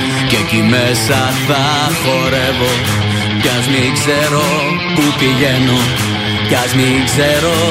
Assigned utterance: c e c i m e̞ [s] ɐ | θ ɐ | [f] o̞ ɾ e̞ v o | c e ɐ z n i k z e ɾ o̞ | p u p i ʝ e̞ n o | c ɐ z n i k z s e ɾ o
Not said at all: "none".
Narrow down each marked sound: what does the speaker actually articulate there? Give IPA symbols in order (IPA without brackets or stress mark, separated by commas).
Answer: s, x